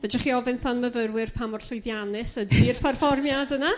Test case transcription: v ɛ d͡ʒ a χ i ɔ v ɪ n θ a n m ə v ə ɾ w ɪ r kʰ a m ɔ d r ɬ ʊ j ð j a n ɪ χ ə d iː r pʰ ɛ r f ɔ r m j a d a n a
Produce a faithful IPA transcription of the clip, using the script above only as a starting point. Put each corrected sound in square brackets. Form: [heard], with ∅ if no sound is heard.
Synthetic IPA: v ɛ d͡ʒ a χ i ɔ v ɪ n θ a n m ə v ə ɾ w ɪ r [pʰ] a m ɔ [∅] r ɬ ʊ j ð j a n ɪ [s] ə d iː r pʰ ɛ r f ɔ r m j a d [ə] n a